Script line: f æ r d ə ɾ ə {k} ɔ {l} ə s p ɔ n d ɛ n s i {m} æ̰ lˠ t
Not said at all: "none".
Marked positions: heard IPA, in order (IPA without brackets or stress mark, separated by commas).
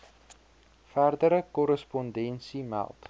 k, ɾ, m